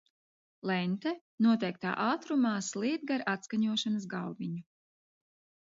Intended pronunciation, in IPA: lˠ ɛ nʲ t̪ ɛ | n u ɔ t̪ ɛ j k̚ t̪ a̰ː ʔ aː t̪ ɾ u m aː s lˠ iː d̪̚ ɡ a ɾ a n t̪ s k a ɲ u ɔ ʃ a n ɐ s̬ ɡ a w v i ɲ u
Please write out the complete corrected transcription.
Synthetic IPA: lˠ ɛ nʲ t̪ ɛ | n u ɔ t̪ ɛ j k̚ t̪ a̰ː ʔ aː t̪ ɾ u m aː s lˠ iː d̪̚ ɡ a ɾ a t̪ s k a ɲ u ɔ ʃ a n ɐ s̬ ɡ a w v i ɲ u